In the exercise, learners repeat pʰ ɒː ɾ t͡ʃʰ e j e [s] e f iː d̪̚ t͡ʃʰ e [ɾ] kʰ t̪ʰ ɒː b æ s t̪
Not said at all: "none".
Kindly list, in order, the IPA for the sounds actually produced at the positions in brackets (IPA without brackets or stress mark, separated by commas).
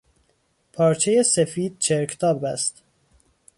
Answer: s, ɾ